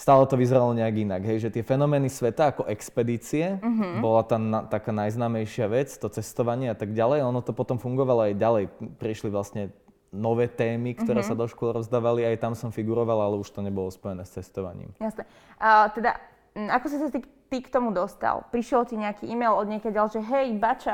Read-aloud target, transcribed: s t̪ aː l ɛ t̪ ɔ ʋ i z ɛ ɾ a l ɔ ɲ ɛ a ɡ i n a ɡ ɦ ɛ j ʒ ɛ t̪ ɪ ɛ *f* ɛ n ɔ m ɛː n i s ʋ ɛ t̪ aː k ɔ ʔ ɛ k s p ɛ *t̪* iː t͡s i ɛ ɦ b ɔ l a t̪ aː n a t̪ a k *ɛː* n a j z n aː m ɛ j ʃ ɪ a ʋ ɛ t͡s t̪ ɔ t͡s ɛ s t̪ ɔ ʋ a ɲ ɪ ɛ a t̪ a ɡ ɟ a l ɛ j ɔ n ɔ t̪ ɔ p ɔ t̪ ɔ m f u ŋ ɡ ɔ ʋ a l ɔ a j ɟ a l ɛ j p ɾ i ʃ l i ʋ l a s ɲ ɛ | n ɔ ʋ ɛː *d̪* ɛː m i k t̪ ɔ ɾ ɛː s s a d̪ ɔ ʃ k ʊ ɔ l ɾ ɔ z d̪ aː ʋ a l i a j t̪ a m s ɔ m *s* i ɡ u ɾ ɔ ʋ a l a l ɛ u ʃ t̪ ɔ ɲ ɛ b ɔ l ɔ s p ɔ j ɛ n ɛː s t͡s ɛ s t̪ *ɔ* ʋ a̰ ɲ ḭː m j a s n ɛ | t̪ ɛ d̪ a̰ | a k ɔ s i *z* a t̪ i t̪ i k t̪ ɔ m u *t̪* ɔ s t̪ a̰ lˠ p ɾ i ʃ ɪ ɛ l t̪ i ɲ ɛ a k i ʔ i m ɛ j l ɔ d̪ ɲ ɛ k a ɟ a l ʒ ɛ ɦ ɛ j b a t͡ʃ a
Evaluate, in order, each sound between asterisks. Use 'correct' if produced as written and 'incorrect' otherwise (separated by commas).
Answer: correct, incorrect, incorrect, incorrect, incorrect, correct, incorrect, incorrect